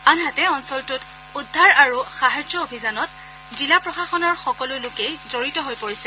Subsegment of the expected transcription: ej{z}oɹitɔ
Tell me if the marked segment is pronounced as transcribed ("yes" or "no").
yes